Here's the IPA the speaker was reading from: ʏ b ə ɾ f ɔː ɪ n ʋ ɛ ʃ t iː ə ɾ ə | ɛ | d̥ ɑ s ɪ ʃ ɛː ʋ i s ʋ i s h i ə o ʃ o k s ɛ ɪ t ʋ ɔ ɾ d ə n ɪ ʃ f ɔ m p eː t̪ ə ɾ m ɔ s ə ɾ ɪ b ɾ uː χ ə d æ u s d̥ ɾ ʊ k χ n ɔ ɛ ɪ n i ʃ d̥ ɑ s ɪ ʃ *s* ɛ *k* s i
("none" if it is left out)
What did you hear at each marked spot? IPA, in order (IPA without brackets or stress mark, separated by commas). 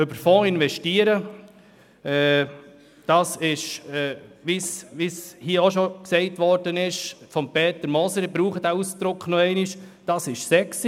s, k